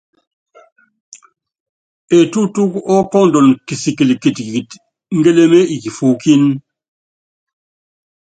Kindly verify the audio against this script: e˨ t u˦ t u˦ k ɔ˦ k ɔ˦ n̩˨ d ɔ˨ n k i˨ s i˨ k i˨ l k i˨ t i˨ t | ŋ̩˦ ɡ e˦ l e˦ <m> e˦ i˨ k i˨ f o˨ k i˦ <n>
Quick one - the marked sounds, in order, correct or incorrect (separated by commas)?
correct, correct